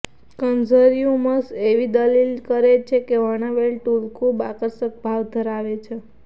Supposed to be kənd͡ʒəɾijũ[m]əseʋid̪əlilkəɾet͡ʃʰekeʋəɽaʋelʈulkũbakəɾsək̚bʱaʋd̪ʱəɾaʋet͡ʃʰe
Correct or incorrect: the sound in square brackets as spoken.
correct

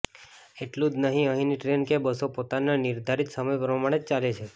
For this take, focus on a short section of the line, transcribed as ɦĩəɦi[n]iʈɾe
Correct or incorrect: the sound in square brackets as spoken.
correct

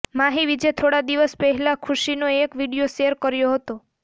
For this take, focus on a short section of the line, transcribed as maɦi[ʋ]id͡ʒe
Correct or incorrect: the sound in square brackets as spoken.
correct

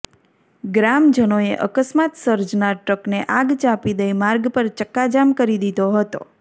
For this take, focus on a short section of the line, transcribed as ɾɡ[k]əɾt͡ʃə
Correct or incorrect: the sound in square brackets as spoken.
incorrect: p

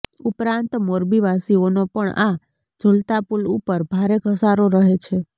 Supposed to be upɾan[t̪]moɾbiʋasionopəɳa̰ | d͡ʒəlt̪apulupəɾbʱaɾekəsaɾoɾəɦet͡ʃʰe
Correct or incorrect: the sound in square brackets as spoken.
correct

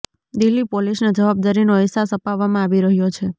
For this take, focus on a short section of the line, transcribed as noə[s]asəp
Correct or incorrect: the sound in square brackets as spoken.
correct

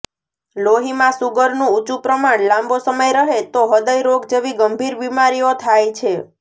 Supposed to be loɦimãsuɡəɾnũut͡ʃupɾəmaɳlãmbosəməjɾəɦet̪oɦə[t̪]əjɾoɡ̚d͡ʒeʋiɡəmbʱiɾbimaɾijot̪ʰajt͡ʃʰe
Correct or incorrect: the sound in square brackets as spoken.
incorrect: d̪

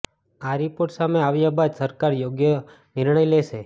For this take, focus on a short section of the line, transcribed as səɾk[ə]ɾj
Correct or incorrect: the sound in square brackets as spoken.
incorrect: a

